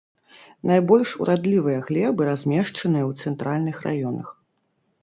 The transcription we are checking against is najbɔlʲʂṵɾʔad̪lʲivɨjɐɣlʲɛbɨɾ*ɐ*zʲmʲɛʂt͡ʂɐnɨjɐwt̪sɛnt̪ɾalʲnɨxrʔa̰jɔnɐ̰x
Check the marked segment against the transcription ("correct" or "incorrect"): incorrect